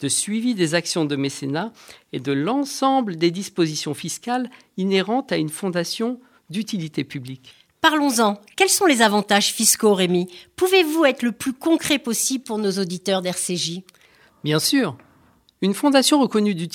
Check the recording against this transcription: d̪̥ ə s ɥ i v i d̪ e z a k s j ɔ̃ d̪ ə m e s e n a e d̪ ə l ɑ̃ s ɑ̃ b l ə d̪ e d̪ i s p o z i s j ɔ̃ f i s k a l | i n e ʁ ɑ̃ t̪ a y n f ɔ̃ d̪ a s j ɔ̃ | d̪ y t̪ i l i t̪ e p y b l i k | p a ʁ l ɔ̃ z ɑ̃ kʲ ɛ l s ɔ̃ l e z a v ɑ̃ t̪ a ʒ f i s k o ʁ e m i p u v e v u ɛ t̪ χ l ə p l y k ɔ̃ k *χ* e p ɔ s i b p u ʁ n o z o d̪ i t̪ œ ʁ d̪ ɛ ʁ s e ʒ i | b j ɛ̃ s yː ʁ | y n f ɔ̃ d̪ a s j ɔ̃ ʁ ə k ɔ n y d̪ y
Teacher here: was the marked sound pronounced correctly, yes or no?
yes